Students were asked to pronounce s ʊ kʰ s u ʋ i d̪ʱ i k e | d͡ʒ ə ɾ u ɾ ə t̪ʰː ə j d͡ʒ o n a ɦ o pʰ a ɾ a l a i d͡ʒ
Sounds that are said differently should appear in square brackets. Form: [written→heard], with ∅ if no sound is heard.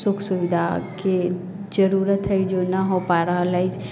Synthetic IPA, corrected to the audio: s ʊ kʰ s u ʋ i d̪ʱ [i→a] k e | d͡ʒ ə ɾ u ɾ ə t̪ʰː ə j d͡ʒ o n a ɦ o [pʰ→p] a ɾ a l a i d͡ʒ

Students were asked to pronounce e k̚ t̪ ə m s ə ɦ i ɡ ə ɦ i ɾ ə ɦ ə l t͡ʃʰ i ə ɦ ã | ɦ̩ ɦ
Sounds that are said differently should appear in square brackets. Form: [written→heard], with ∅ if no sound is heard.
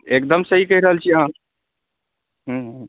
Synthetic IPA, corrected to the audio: e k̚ [t̪→d̪] ə m s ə ɦ i [ɡ→k] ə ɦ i ɾ ə ɦ ə l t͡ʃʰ i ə ɦ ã | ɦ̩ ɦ

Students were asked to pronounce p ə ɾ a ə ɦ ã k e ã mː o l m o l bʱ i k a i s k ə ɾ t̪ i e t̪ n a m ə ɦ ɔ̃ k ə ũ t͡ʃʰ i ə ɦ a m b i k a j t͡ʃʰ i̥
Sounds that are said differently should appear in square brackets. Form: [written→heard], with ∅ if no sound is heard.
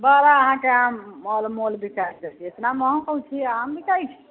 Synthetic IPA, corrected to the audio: [p→b] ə ɾ a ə ɦ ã k e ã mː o l m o l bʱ i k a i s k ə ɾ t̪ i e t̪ n a m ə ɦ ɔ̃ k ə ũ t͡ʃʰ i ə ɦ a m b i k a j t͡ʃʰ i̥

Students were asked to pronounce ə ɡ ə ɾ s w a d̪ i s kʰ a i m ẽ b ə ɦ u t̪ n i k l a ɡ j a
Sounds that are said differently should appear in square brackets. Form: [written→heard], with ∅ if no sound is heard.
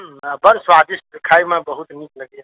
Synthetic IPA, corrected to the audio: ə [ɡ→b] ə ɾ s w a d̪ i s kʰ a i m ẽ b ə ɦ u t̪ n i k l [a→ə] ɡ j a

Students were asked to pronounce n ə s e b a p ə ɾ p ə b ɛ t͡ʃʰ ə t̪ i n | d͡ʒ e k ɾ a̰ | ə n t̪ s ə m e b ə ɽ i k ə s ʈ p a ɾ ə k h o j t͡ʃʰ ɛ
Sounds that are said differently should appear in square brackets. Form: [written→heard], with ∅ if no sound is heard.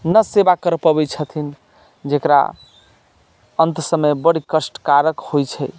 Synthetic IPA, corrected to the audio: n ə s e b a [p→k] ə ɾ p ə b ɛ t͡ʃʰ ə [t̪→t̪ʰ] i n | d͡ʒ e k ɾ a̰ | ə n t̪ s ə m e b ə ɽ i k ə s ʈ [p→k] a ɾ ə k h o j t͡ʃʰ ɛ

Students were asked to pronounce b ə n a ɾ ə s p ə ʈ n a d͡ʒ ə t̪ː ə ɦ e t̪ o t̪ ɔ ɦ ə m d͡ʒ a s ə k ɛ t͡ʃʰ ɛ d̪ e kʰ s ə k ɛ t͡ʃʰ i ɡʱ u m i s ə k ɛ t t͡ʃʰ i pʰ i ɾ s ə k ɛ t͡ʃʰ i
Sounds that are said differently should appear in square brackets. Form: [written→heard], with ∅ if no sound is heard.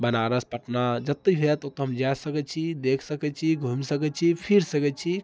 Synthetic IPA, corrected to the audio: b ə n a ɾ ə s p ə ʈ n a d͡ʒ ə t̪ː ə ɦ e t̪ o t̪ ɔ ɦ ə m d͡ʒ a s ə k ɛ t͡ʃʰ [ɛ→i] d̪ e kʰ s ə k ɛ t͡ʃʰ i ɡʱ u m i s ə k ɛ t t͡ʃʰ i pʰ i ɾ s ə k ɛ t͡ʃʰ i

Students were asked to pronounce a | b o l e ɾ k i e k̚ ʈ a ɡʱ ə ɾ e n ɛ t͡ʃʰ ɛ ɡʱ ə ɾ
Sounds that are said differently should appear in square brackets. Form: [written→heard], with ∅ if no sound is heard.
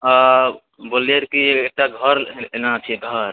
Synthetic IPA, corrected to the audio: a | b o l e ɾ k i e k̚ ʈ a ɡʱ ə ɾ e n [ɛ→a] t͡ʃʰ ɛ ɡʱ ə ɾ

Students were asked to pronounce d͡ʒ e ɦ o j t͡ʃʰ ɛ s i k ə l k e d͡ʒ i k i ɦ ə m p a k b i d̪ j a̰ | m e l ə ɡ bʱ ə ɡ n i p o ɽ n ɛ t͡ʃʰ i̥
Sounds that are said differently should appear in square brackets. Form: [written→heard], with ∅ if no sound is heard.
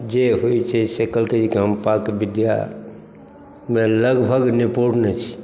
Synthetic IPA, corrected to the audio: d͡ʒ e ɦ o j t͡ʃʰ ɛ s [i→e] k ə l k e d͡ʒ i k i ɦ ə m p a k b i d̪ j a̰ | m e l ə ɡ bʱ ə ɡ n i p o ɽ n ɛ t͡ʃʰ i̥

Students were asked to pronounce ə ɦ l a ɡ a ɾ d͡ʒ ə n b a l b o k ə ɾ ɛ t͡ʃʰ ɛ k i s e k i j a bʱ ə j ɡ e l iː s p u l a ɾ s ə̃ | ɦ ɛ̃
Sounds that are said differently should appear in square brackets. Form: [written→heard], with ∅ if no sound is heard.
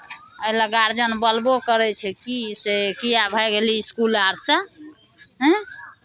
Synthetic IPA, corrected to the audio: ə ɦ l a ɡ a ɾ d͡ʒ ə n b [a→ə] l b o k ə ɾ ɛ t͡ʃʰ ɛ k i s e k i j a bʱ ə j ɡ e l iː s [p→k] u l a ɾ s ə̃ | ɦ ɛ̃

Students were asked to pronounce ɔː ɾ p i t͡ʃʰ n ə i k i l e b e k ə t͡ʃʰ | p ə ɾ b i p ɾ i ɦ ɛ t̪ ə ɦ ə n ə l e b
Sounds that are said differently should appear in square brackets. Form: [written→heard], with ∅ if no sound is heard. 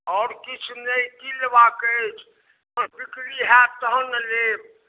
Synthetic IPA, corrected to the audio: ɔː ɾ [p→k] i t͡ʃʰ n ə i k i l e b [e→a] k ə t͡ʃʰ | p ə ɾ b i [p→k] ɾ i ɦ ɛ t̪ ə ɦ ə n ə l e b

